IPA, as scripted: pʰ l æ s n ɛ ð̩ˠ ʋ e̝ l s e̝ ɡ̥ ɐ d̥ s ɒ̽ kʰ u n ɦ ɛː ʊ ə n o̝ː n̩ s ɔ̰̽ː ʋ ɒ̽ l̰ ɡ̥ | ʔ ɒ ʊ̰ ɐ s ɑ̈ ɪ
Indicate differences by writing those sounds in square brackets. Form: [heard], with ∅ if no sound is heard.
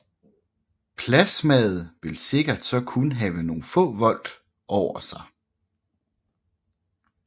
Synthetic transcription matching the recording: pʰ l æ s [m] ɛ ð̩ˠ ʋ e̝ l s e̝ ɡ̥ ɐ d̥ s ɒ̽ kʰ u n ɦ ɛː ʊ ə n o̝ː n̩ [f] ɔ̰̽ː ʋ ɒ̽ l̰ [d̥] | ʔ ɒ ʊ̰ ɐ s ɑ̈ ɪ